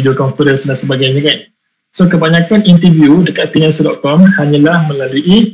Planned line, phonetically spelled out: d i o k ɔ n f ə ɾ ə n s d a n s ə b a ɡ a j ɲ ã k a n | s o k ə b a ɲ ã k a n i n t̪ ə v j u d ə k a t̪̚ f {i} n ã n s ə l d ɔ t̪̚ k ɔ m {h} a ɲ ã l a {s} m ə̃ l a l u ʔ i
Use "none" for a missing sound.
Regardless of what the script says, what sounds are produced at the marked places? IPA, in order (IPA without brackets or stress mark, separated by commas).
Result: i, h, h